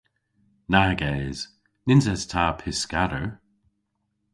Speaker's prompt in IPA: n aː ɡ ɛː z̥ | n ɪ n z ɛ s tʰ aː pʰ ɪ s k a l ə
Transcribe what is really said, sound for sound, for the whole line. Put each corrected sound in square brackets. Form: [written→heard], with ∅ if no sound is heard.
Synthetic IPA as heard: n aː ɡ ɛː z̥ | n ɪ n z ɛ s tʰ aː pʰ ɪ s k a [l→ɾ] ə